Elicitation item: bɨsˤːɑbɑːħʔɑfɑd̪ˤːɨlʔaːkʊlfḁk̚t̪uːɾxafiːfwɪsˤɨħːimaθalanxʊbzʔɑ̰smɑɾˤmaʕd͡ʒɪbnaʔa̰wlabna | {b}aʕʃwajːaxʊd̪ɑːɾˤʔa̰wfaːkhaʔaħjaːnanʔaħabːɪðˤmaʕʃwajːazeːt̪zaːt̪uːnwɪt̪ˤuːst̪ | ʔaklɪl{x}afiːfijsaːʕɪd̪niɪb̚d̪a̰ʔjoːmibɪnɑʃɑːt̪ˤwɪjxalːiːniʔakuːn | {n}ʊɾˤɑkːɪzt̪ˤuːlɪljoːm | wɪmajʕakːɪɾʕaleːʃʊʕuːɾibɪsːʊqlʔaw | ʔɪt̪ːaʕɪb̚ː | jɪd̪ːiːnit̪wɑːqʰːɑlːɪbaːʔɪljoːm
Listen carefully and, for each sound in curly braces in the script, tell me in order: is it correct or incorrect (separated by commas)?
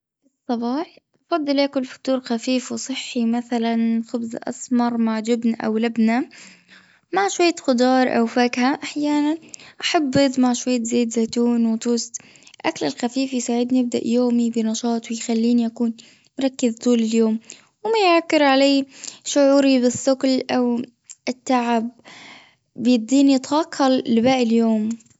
incorrect, correct, incorrect